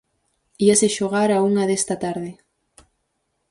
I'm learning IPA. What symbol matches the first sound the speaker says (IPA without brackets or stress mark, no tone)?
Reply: i